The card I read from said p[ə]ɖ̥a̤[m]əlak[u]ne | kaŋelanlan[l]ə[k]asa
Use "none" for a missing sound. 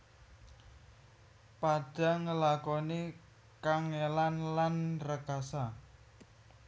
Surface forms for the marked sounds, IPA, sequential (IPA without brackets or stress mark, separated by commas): a, ŋ, ɔ, r, k